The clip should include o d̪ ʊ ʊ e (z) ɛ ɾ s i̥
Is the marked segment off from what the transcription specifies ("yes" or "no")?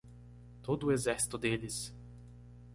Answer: no